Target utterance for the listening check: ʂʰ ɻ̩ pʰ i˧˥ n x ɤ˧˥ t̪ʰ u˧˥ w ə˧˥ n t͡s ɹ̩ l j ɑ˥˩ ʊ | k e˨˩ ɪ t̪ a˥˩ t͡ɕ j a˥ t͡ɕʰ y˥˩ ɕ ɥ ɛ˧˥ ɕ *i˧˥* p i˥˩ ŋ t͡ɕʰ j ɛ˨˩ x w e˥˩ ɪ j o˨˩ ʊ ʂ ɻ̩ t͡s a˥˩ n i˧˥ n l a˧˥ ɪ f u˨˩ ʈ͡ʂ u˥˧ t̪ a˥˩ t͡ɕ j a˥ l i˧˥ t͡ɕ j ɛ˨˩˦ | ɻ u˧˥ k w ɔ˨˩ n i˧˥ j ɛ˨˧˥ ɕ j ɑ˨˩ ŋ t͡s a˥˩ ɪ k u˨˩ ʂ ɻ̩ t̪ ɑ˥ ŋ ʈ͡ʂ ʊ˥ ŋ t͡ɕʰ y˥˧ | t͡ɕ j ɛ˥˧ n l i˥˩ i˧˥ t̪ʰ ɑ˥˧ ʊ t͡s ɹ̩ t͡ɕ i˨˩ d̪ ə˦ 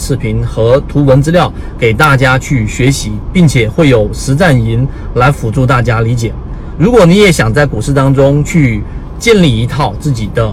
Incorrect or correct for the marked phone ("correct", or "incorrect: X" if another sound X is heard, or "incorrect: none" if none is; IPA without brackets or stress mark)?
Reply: correct